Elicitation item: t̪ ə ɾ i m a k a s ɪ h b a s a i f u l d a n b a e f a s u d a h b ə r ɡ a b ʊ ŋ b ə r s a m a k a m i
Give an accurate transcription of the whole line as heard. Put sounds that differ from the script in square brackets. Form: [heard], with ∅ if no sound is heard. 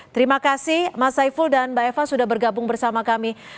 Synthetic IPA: t̪ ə ɾ i m a k a s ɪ h [m] a s a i f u l d a n b a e f a s u d a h b ə r ɡ a b ʊ ŋ b ə r s a m a k a m i